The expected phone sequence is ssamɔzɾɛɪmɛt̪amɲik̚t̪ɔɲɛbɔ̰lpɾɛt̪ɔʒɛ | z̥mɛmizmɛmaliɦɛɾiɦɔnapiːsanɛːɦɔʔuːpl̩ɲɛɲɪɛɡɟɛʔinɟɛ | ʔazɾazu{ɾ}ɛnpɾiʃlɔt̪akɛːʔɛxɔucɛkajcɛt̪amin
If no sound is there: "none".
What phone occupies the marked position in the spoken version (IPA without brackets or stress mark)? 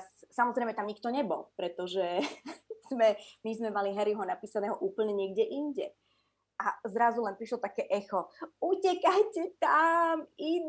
l